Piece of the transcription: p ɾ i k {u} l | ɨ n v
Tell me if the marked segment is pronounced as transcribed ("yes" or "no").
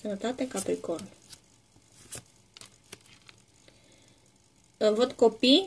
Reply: no